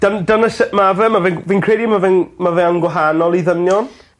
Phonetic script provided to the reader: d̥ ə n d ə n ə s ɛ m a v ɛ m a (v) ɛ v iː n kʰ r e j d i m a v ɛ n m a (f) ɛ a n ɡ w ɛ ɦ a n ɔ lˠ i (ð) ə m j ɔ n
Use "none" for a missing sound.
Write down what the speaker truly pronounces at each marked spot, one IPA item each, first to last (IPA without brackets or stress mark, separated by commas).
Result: v, v, ð